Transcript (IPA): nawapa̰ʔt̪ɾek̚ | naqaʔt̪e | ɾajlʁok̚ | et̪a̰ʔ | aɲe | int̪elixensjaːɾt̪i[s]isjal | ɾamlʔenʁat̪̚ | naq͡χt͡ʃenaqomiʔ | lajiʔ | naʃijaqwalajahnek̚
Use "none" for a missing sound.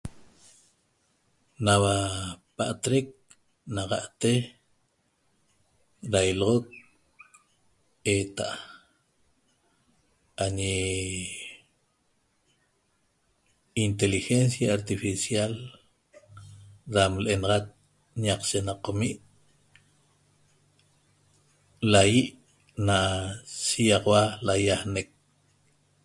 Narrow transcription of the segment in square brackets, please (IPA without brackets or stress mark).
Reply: f